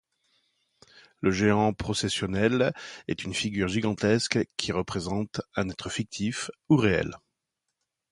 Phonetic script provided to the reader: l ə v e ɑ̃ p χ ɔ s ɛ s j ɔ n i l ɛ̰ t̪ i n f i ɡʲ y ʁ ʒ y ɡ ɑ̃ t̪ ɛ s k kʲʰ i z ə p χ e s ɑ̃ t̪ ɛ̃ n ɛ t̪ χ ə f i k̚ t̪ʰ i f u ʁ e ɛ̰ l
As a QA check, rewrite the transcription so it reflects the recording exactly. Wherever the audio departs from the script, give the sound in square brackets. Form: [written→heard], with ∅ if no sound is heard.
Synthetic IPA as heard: l ə [v→ʒ] e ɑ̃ p χ ɔ s ɛ s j ɔ n [i→ɛ] l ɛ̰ t̪ [i→y] n f i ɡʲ y ʁ ʒ [y→i] ɡ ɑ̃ t̪ ɛ s k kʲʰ i [z→ʁ] ə p χ e [s→z] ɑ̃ t̪ ɛ̃ n ɛ t̪ χ ə f i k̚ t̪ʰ i f u ʁ e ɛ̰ l